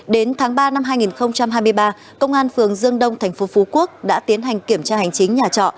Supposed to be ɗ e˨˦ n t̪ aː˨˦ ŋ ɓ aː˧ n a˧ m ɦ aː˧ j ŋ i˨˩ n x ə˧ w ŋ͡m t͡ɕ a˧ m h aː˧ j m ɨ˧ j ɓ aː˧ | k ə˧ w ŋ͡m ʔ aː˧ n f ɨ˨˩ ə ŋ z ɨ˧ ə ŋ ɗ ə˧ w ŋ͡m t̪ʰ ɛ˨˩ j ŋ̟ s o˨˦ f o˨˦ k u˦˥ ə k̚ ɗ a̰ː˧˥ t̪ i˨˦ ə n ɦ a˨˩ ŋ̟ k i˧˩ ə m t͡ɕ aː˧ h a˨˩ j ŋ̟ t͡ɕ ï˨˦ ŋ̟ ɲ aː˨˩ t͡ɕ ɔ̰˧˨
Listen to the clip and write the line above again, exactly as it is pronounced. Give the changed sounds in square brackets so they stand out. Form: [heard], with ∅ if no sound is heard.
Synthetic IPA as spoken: ɗ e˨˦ n [t̪ʰ] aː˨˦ ŋ ɓ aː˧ n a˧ m ɦ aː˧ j ŋ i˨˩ n x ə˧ w ŋ͡m t͡ɕ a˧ m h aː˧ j m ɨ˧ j ɓ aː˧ | k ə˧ w ŋ͡m ʔ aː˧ n f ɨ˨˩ ə ŋ z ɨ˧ ə ŋ ɗ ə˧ w ŋ͡m t̪ʰ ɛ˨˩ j ŋ̟ [f] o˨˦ f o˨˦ k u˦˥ ə k̚ ɗ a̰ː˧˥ t̪ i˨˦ ə n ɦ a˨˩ ŋ̟ k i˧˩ ə m t͡ɕ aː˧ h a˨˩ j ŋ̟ t͡ɕ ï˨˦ ŋ̟ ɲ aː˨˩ t͡ɕ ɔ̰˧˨